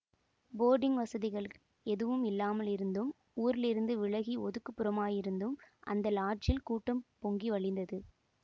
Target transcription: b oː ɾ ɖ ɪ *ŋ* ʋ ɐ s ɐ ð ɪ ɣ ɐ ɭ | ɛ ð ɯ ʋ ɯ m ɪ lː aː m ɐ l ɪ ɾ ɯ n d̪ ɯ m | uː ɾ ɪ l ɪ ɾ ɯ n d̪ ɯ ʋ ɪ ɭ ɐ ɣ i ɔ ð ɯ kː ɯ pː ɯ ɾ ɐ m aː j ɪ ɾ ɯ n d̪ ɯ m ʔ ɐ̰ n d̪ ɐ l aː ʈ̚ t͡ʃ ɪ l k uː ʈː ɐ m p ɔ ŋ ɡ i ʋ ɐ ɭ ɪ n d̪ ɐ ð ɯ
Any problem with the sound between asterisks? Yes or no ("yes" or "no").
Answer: no